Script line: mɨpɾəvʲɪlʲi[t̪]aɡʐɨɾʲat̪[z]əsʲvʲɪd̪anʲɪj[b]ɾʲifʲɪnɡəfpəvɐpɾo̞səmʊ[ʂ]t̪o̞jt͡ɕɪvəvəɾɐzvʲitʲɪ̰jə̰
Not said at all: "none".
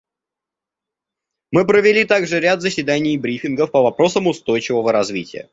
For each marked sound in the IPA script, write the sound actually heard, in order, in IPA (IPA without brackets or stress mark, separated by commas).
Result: t̪, z, b, s